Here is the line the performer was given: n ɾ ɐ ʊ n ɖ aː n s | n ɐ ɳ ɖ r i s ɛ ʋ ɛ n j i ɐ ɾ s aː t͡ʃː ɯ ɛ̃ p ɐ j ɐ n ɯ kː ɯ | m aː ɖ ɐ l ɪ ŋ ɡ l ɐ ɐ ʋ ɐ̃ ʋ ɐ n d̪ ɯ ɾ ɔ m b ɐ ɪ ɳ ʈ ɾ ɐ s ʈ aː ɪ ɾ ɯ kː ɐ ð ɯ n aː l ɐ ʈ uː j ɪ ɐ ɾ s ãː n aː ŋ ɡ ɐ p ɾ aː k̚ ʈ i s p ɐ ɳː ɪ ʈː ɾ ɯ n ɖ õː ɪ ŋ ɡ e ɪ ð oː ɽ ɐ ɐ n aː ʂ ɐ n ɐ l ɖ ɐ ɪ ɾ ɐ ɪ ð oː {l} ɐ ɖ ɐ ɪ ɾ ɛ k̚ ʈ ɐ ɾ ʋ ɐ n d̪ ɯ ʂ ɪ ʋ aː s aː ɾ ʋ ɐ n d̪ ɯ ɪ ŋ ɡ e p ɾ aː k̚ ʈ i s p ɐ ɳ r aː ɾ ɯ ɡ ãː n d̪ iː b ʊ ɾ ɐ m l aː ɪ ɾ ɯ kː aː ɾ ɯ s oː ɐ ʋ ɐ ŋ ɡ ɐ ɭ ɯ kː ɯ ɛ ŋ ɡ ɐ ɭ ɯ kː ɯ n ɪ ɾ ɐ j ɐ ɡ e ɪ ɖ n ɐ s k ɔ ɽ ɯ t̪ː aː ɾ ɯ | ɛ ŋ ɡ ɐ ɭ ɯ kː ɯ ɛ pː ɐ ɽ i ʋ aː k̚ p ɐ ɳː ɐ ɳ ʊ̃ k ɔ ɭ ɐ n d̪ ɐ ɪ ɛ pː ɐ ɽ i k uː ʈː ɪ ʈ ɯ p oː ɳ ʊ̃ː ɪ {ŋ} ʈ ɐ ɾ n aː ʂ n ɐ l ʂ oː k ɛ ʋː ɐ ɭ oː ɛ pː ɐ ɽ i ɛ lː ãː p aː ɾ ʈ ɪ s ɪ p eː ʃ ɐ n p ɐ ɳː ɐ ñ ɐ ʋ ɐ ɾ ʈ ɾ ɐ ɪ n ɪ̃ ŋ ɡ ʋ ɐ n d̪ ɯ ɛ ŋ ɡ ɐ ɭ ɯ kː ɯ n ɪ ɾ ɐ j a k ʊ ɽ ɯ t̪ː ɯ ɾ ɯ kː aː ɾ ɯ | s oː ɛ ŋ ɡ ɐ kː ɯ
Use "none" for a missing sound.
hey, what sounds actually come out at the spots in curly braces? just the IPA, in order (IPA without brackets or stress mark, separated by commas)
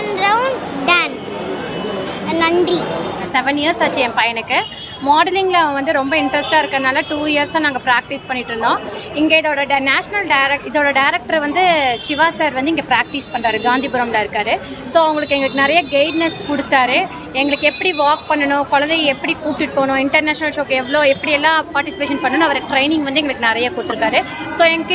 ɽ, ɳ